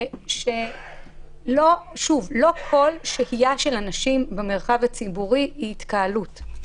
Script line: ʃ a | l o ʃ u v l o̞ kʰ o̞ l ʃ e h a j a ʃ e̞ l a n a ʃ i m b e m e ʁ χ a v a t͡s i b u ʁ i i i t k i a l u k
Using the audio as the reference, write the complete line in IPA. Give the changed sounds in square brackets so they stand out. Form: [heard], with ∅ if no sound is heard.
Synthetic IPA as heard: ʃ [e] | l o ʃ u v l o̞ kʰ o̞ l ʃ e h [i] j a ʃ e̞ l a n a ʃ i m b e m e ʁ χ a v a t͡s i b u ʁ i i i t k [a] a l u [t]